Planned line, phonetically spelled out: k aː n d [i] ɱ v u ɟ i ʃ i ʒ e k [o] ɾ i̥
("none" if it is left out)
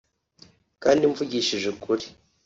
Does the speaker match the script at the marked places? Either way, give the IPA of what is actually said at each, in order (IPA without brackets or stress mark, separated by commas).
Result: i, u